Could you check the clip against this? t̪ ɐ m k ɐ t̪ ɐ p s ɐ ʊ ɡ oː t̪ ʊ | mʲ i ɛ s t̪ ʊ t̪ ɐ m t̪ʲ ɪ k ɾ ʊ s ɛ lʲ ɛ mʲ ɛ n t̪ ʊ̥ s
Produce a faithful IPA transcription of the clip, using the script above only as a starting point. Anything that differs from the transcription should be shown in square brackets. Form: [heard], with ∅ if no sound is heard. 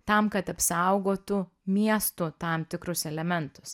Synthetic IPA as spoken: t̪ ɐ m k ɐ t̪ ɐ p s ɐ ʊ ɡ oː t̪ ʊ | mʲ i ɛ s t̪ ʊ t̪ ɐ m t̪ʲ ɪ k ɾ ʊ s ɛ lʲ ɛ mʲ ɛ n t̪ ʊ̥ s